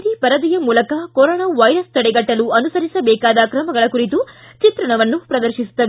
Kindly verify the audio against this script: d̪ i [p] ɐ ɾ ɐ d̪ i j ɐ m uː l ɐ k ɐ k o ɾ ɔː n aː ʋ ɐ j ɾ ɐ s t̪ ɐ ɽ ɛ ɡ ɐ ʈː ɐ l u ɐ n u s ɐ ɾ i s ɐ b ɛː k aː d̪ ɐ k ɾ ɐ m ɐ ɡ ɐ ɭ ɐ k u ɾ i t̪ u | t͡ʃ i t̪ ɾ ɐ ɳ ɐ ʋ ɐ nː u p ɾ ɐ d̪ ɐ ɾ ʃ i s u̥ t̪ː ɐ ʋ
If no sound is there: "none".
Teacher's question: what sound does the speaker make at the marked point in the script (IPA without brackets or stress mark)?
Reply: p